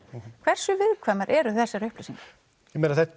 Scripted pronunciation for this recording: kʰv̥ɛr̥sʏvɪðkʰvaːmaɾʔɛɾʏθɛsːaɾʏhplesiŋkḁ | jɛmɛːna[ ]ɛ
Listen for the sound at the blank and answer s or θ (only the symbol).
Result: θ